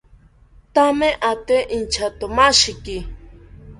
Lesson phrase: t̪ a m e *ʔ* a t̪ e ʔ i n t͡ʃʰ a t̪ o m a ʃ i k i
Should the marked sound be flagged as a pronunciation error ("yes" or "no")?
no